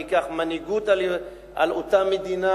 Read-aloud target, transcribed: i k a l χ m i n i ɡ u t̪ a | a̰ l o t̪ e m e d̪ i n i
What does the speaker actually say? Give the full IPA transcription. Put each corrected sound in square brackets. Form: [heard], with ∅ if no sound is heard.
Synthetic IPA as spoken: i k a [∅] χ m [a] n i ɡ u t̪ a | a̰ l o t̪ [a] m e d̪ i n [a]